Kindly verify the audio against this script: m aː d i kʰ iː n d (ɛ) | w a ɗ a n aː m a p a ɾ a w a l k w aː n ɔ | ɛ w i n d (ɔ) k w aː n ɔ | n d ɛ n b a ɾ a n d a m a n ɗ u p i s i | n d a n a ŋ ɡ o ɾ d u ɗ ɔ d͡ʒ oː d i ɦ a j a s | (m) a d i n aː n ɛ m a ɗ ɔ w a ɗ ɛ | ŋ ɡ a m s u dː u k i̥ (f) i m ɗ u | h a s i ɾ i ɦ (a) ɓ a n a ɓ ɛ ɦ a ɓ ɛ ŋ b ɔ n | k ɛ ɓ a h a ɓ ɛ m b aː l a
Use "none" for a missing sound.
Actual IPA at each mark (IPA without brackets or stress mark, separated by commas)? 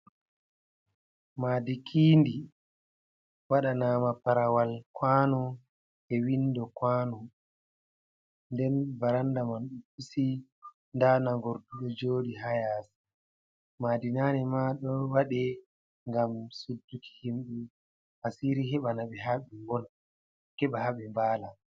i, ɔ, m, h, ɛ